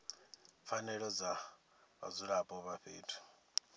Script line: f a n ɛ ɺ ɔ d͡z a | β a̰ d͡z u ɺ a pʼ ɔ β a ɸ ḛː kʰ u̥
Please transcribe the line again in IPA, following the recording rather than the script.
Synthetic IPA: f a n ɛ ɺ ɔ d͡z a | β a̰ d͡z u ɺ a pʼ ɔ β a ɸ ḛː tʰ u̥